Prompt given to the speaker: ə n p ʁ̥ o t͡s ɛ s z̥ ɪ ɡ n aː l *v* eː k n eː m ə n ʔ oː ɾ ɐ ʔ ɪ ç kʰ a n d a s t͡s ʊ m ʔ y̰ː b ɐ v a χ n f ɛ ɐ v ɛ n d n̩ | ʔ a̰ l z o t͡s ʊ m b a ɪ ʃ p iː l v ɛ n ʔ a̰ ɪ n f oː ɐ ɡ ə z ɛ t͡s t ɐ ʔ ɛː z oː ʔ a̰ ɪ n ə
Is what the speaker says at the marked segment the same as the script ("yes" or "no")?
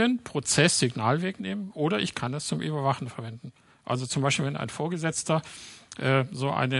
yes